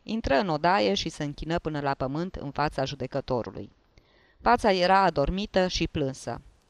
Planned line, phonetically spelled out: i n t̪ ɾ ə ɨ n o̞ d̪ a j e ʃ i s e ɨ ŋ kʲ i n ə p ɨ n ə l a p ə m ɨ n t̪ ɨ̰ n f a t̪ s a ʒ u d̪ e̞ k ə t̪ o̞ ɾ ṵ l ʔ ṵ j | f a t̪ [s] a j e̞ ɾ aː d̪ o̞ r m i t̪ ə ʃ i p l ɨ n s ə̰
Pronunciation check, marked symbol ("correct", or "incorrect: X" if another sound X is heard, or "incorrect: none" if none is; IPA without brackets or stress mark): correct